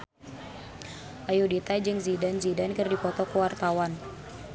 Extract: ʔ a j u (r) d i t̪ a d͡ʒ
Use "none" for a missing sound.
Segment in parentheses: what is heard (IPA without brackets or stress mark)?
none